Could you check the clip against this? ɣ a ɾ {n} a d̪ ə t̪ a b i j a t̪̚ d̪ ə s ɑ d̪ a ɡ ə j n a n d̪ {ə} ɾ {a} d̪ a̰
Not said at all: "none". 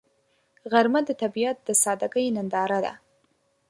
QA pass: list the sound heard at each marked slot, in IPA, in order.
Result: m, ɑ, a

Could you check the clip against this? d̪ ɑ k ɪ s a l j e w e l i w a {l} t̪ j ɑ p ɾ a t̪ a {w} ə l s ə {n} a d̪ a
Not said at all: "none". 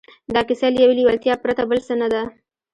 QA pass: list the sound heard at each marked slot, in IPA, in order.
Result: l, b, n

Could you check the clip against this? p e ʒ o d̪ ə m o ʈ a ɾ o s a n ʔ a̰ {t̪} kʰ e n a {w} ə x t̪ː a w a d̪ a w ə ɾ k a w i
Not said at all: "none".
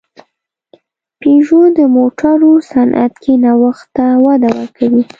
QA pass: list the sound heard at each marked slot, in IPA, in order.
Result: t̪, w

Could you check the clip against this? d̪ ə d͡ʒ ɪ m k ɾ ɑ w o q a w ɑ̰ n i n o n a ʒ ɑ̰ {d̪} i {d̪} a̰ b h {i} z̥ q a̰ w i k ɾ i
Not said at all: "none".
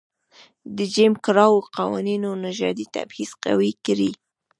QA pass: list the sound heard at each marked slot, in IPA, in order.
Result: d̪, t̪, i

